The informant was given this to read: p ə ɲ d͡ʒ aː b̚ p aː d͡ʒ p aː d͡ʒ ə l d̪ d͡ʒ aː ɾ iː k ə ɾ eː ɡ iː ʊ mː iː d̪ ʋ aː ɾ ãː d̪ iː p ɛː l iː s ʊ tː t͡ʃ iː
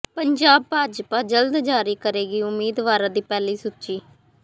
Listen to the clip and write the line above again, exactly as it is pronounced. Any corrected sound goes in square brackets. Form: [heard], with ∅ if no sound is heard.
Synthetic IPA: p ə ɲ d͡ʒ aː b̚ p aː d͡ʒ p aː d͡ʒ ə l d̪ d͡ʒ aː ɾ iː k ə ɾ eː ɡ iː ʊ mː iː d̪ ʋ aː ɾ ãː d̪ iː p ɛː l iː s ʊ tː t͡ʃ iː